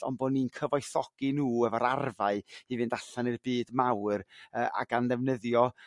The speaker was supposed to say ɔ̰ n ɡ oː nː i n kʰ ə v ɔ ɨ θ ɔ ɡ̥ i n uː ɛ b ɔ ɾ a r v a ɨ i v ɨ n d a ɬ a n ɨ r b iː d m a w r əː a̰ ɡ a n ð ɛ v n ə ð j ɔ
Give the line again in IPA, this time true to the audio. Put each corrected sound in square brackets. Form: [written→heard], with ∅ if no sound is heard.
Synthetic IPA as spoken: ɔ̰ n [ɡ→b] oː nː i n kʰ ə v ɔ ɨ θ ɔ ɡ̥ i n uː ɛ [b→v] ɔ ɾ a r v a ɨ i v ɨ n d a ɬ a n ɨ r b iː d m a w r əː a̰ ɡ a n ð ɛ v n ə ð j ɔ